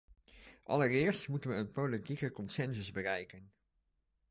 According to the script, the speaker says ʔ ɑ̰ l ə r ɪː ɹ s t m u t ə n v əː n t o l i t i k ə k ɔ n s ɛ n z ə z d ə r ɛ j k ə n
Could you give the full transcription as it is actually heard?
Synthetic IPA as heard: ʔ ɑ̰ l ə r ɪː ɹ s t m u t ə n ʋ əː n p o l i t i k ə k ɔ n s ɛ n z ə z b ə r ɛ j k ə n